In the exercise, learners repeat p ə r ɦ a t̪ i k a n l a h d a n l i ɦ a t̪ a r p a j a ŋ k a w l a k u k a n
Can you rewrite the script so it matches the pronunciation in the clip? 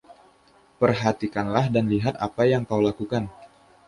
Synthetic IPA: p ə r ɦ a t̪ i k a n l a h d a n l i ɦ a t̪ a p a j a ŋ k a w l a k u k a n